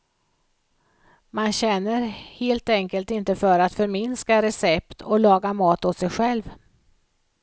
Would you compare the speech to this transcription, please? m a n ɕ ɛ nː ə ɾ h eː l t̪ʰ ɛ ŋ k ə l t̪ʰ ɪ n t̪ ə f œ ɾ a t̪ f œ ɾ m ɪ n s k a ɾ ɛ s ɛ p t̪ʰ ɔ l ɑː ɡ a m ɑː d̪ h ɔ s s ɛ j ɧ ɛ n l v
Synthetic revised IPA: m a n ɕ ɛ nː ə ɾ h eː l t̪ ɛ ŋ k ə l t̪ ɪ n t̪ ə f œ ɾ a t̪ f œ ɾ m ɪ n s k a ɾ ɛ s ɛ p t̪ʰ ɔ l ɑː ɡ a m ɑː t̪ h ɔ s s ɛ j ɧ ɛ l v